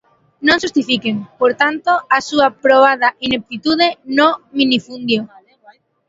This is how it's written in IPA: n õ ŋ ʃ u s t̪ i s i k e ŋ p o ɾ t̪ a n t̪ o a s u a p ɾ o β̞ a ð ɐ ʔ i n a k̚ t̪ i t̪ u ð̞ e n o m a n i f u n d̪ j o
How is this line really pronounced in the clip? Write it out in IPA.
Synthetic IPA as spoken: n õ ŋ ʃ u s t̪ i f i k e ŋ p o ɾ t̪ a n t̪ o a s u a p ɾ o β̞ a ð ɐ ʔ i n e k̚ t̪ i t̪ u ð̞ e n o m i n i f u n d̪ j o